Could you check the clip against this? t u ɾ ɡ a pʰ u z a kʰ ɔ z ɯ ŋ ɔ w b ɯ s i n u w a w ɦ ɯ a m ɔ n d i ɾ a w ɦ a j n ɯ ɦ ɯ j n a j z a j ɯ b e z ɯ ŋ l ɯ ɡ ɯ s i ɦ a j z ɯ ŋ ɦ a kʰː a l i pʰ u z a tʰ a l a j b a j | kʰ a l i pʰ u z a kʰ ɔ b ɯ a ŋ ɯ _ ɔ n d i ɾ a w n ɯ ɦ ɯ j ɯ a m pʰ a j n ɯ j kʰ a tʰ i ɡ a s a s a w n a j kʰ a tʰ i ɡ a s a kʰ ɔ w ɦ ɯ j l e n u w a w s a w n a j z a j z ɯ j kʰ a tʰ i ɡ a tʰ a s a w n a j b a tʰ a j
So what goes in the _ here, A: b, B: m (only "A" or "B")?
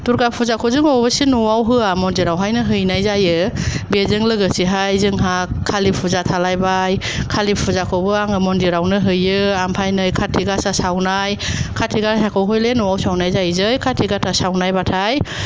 B